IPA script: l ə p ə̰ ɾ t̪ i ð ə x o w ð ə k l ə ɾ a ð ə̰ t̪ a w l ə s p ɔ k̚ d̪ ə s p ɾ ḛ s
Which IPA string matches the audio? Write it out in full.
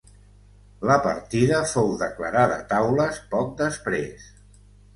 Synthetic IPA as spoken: l ə p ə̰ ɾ t̪ i ð ə f o w ð ə k l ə ɾ a ð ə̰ t̪ a w l ə s p ɔ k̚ d̪ ə s p ɾ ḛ s